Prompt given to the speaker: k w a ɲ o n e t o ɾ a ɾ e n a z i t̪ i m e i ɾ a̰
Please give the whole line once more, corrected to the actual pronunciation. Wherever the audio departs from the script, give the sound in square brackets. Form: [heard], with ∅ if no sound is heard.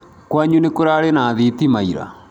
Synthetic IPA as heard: k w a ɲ [u] n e [k] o ɾ a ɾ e n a [ð] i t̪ i m [a] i ɾ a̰